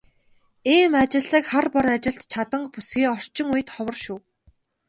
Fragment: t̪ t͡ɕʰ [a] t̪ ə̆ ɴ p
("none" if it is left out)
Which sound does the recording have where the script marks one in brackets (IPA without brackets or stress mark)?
a